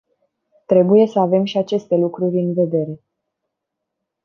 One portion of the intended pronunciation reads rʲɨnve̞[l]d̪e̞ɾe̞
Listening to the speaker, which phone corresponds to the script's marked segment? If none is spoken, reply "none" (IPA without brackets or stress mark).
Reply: none